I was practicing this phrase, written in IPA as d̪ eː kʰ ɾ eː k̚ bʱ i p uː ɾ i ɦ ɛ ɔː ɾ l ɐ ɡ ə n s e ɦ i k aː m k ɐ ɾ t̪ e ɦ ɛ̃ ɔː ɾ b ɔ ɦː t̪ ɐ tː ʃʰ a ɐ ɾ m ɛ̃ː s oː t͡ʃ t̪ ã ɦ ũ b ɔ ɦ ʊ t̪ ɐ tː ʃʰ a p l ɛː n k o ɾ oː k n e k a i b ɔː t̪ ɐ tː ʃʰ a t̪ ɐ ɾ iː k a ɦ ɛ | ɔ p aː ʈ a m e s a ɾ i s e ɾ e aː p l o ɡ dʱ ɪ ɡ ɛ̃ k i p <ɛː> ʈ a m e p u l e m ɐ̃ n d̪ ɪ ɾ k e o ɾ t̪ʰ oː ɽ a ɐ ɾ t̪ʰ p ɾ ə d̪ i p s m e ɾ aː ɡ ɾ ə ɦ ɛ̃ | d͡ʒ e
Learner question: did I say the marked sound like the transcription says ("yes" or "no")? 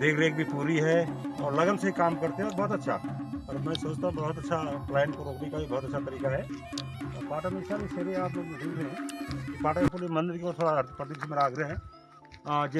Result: no